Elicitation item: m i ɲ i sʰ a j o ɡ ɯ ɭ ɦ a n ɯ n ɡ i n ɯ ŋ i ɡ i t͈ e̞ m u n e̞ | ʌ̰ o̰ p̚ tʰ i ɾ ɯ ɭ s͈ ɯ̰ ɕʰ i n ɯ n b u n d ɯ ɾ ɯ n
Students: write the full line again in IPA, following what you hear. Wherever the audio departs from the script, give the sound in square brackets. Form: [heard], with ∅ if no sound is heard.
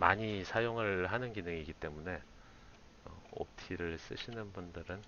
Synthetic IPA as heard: m [a] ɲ i sʰ a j o [ŋ] ɯ ɭ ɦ a n ɯ n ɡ i n ɯ ŋ i ɡ i t͈ e̞ m u n e̞ | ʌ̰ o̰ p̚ tʰ i ɾ ɯ ɭ s͈ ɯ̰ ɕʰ i n ɯ n b u n d ɯ ɾ ɯ n